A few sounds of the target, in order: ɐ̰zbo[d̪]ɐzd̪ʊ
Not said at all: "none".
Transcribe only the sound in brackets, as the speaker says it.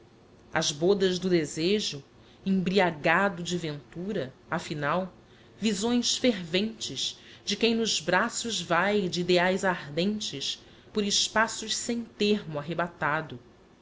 d̪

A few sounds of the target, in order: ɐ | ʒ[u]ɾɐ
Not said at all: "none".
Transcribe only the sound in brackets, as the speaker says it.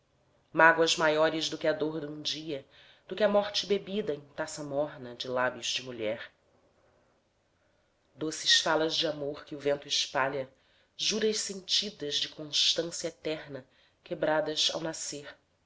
u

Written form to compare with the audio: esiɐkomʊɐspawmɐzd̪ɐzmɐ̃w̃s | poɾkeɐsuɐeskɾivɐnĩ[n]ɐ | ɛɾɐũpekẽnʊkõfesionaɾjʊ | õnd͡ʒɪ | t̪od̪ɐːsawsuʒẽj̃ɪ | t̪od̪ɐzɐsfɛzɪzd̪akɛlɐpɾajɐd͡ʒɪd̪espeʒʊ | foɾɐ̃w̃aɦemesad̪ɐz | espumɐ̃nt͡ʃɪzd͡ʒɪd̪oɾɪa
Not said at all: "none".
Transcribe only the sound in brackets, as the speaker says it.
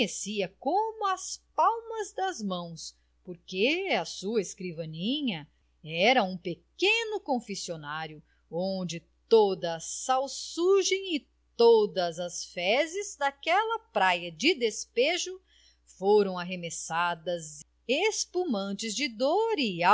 ɲ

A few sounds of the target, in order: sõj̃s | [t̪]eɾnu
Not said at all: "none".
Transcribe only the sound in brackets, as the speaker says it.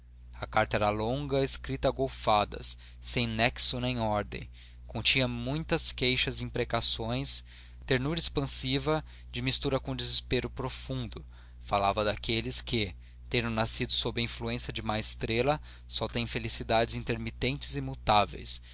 t̪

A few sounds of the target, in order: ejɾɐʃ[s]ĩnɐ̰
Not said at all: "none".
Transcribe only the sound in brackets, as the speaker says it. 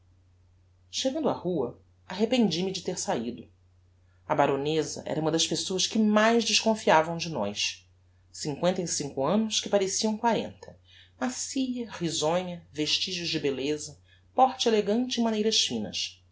f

